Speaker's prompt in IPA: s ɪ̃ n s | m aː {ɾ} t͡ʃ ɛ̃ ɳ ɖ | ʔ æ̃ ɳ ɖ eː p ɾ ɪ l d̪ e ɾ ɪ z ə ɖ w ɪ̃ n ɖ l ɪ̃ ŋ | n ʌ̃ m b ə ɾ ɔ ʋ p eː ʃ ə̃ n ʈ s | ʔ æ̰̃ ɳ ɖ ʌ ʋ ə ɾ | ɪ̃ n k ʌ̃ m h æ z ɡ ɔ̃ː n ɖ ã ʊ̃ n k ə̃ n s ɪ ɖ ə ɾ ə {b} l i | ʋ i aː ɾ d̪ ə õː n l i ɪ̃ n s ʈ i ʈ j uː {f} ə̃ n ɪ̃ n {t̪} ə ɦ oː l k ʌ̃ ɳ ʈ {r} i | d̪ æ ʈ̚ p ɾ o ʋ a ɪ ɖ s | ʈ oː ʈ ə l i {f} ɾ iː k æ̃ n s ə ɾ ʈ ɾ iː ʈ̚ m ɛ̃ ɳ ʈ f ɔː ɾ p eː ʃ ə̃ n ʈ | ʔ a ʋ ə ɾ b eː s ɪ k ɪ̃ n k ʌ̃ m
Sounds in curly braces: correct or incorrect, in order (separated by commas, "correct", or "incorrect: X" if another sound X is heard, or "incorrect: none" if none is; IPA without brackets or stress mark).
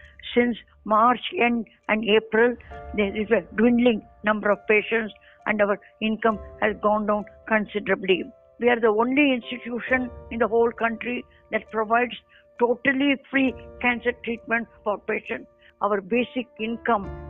correct, correct, incorrect: ʃ, incorrect: d̪, incorrect: ɾ, correct